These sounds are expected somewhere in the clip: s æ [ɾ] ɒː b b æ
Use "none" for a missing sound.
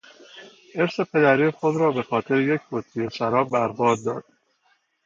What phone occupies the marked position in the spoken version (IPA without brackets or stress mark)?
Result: ɾ